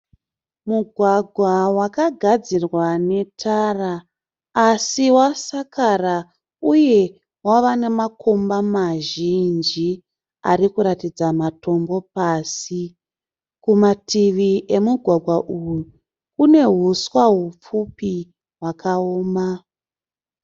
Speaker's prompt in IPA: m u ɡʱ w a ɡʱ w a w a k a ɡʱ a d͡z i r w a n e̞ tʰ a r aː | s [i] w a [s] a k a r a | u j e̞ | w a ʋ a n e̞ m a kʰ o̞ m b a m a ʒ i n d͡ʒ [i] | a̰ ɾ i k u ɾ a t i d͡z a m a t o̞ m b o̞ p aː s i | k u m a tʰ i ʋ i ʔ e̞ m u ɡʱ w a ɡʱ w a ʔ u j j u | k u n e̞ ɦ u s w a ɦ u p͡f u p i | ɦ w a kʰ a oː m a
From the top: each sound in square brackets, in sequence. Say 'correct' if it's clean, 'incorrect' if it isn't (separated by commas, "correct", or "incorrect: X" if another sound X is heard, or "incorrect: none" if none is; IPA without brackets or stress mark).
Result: correct, correct, correct